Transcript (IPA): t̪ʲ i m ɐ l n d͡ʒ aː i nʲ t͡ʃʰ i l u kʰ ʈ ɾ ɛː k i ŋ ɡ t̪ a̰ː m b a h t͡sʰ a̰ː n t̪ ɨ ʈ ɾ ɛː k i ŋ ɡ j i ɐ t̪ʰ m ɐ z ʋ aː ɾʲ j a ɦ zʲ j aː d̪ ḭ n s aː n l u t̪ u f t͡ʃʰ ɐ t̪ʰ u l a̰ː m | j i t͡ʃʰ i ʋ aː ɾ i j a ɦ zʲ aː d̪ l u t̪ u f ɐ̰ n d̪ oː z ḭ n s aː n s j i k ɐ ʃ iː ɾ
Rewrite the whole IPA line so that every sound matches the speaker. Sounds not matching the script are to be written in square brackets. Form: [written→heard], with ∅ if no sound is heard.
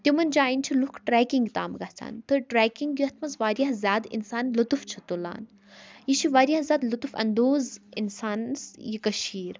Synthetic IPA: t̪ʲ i m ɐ [l→∅] n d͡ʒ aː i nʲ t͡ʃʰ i l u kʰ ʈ ɾ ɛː k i ŋ ɡ t̪ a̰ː m [b→ɡ] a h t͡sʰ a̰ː n t̪ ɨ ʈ ɾ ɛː k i ŋ ɡ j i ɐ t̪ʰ m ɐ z ʋ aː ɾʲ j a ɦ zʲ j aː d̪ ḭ n s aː n l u t̪ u f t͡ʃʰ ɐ [t̪ʰ→t̪] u l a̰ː [m→n] | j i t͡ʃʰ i ʋ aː ɾ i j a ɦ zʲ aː d̪ l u t̪ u f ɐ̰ n d̪ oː z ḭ n s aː n s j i k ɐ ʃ iː ɾ

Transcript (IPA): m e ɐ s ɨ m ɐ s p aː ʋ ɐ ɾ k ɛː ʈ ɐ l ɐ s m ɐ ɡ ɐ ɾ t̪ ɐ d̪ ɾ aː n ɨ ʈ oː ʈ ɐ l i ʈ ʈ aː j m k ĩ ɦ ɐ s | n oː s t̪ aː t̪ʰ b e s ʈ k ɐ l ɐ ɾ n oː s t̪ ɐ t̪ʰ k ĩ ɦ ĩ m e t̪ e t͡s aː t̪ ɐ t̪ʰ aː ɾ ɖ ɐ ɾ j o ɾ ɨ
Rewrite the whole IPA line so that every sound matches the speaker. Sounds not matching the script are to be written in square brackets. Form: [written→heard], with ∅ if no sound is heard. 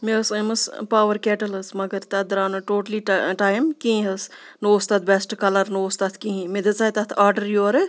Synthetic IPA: m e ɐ s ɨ m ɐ s p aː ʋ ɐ ɾ k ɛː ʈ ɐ l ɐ s m ɐ ɡ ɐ ɾ t̪ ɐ d̪ ɾ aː n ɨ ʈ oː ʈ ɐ l i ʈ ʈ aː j m k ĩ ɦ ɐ s | n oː s t̪ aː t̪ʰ b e s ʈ k ɐ l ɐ ɾ n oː s t̪ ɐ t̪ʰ k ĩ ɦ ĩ m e [t̪→d̪] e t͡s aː t̪ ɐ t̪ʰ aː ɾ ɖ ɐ ɾ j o ɾ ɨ

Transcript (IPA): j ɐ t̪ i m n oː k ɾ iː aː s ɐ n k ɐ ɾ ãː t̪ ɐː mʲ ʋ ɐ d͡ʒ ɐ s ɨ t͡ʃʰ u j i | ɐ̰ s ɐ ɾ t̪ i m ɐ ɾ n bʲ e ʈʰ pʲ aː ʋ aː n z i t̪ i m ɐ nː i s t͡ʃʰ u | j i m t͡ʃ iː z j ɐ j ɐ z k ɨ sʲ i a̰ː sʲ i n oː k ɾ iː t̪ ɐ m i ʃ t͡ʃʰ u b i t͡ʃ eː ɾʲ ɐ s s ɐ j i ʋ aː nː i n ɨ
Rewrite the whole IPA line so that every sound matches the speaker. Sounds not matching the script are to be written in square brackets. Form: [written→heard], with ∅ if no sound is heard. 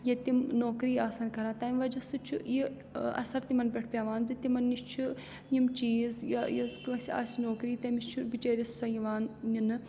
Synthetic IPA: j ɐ t̪ i m n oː k ɾ iː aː s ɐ n k ɐ ɾ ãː t̪ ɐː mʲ ʋ ɐ d͡ʒ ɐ s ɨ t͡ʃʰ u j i | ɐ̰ s ɐ ɾ t̪ i m ɐ [ɾ→∅] n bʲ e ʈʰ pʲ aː ʋ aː n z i t̪ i m ɐ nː i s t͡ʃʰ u | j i m t͡ʃ iː z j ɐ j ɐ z k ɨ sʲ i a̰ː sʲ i n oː k ɾ iː t̪ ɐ m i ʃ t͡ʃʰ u b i t͡ʃ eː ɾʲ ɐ s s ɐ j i ʋ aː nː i n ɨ

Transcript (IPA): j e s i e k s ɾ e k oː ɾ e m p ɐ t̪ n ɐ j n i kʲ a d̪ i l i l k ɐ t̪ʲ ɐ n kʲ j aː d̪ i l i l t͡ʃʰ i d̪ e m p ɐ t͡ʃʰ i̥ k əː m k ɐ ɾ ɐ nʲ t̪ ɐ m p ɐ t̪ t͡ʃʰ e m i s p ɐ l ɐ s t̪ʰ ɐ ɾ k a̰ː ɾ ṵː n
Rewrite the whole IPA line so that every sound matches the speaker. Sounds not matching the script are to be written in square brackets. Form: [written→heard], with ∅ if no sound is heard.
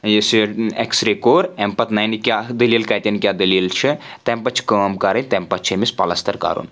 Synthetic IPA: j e s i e k s ɾ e k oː ɾ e m p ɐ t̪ n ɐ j n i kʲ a d̪ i l i l k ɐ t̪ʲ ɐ n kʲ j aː d̪ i l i l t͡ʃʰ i [d̪→t̪] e m p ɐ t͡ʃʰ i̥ k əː m k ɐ ɾ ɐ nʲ t̪ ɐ m p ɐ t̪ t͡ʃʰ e m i s p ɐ l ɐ s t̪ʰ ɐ ɾ k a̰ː ɾ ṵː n

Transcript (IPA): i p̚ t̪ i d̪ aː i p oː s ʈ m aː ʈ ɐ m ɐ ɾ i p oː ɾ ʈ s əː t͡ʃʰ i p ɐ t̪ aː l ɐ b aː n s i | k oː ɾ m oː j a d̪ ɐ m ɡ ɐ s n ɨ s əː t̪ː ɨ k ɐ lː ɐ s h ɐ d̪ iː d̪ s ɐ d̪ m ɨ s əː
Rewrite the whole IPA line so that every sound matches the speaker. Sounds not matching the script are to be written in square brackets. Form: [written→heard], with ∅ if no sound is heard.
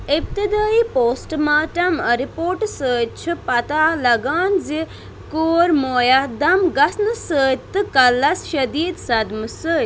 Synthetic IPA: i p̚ t̪ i d̪ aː i p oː s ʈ m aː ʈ ɐ m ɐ ɾ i p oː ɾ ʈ s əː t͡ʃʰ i p ɐ t̪ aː l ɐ [b→ɡ] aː n [s→z] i | k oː ɾ m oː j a d̪ ɐ m ɡ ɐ s n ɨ s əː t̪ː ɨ k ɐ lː ɐ s [h→ʃ] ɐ d̪ iː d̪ s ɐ d̪ m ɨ s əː

